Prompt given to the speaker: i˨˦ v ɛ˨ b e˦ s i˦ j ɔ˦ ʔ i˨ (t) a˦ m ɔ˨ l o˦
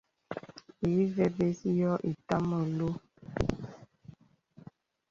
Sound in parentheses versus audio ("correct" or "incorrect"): correct